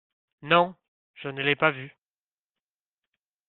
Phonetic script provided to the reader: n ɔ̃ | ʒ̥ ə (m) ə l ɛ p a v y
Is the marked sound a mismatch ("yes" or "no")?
yes